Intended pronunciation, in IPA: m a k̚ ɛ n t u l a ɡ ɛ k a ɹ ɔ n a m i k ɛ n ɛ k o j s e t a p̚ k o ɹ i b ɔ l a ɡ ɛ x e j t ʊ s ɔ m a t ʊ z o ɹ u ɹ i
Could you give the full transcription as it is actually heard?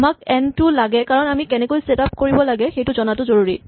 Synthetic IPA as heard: m a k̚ ɛ n t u l a ɡ ɛ k a ɹ ɔ n a m i k ɛ n ɛ k o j s e t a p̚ k o ɹ i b ɔ l a ɡ ɛ x e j t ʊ z ɔ n a t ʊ z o ɹ u ɹ i